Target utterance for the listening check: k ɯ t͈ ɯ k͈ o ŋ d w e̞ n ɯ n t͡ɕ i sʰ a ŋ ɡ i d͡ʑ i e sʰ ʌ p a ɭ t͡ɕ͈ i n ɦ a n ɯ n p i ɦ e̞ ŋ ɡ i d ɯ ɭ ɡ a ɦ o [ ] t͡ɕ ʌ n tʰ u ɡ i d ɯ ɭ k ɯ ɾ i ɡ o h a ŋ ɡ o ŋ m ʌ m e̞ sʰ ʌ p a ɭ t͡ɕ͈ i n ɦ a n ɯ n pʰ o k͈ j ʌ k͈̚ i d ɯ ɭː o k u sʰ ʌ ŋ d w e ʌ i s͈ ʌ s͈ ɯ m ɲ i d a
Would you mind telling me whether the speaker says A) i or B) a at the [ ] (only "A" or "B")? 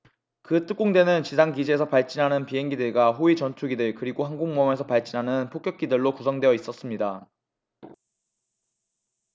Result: A